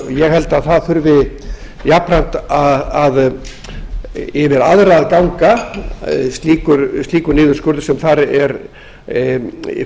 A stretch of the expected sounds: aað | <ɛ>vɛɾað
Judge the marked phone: correct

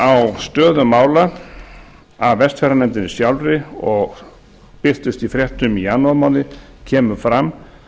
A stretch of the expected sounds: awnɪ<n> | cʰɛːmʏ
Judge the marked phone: incorrect: none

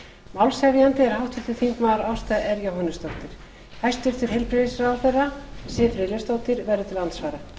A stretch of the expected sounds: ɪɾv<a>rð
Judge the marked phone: incorrect: ɛ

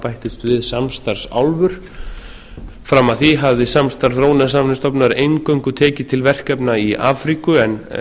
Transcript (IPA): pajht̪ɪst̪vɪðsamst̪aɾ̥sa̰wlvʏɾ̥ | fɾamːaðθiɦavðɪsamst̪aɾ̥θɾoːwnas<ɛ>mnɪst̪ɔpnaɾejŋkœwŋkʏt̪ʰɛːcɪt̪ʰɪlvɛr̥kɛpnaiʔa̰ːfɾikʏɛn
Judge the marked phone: incorrect: a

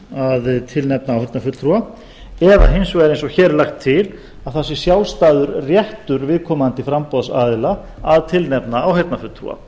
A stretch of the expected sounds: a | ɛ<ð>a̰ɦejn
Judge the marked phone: correct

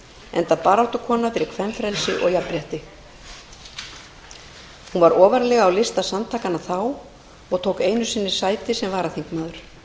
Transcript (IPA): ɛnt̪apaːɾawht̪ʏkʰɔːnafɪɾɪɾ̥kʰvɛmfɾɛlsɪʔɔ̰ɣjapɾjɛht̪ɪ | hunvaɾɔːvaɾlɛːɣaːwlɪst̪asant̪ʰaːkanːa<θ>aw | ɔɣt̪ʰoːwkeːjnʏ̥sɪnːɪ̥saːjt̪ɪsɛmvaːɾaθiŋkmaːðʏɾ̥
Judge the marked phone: correct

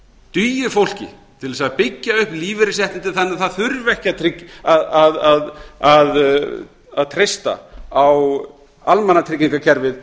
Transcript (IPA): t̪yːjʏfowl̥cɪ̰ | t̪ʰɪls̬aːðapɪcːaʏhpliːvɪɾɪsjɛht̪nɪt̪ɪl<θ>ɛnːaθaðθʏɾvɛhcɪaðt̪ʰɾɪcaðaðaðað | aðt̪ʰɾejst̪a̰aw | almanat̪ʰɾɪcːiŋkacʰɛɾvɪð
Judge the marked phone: correct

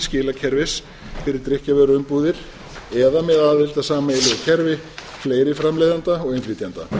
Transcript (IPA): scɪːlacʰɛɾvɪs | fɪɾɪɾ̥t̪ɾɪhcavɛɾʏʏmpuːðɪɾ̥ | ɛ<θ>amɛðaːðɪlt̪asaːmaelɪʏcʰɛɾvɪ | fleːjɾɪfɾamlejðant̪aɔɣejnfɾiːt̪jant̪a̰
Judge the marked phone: incorrect: ð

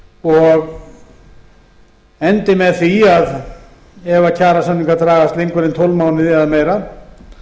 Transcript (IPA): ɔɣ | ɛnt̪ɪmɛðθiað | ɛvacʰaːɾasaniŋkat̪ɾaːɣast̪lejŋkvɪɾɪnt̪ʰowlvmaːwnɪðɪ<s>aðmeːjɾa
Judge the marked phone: incorrect: none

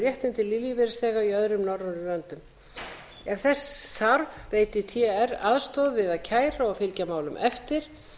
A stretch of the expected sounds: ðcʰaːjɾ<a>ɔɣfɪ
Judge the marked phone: correct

